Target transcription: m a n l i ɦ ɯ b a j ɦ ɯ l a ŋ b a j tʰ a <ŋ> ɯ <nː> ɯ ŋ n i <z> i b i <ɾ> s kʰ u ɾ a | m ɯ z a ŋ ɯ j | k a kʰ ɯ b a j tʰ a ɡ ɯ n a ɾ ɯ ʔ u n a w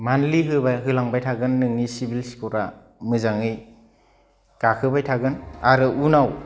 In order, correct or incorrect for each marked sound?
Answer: incorrect: ɡ, correct, incorrect: s, incorrect: l

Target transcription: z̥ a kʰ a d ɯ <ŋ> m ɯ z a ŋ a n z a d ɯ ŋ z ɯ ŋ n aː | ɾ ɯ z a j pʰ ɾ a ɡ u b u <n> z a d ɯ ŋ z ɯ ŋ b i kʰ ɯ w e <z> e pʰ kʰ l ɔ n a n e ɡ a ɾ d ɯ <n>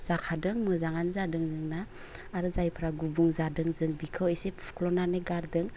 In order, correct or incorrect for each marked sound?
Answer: correct, incorrect: ŋ, incorrect: s, incorrect: ŋ

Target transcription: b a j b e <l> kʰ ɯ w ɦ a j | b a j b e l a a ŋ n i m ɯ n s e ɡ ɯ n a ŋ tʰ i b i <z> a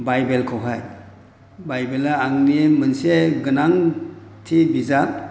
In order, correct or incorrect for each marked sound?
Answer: correct, correct

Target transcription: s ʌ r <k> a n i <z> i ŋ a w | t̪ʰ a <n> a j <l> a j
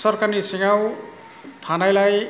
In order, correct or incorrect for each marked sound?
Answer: correct, incorrect: s, correct, correct

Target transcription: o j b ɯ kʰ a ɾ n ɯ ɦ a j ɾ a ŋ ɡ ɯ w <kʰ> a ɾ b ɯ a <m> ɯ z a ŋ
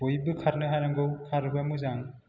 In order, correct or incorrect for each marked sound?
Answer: correct, correct

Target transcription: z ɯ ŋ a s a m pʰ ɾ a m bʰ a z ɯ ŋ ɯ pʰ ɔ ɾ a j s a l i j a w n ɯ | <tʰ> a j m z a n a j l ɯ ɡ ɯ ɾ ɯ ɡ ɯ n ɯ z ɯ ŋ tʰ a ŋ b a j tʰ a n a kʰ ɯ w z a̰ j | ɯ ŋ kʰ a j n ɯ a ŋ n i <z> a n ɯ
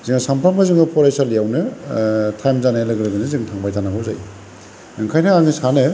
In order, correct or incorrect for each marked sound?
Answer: correct, incorrect: s

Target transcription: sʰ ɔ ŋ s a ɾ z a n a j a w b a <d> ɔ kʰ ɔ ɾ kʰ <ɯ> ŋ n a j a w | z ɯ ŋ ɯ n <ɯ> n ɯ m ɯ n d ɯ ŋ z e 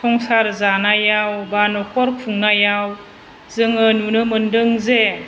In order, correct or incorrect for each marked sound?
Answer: incorrect: n, incorrect: u, incorrect: u

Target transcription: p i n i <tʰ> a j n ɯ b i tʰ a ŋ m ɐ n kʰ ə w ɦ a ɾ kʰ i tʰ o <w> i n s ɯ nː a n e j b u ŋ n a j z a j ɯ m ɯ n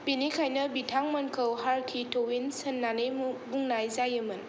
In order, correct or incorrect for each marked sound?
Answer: incorrect: kʰ, correct

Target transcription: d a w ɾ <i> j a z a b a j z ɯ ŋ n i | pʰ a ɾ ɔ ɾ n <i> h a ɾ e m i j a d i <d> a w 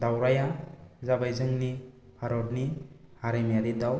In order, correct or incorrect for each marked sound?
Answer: incorrect: a, correct, correct

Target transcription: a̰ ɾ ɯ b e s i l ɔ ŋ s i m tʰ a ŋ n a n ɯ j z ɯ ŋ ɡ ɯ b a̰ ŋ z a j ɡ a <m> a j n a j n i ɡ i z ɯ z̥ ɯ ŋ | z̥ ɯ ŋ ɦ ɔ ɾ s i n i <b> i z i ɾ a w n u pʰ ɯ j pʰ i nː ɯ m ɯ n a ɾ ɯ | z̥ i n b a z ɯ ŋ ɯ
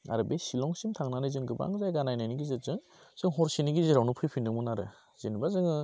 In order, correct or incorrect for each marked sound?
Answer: incorrect: n, incorrect: ɡ

